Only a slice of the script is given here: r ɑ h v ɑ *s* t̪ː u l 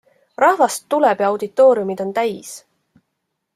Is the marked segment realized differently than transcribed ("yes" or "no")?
no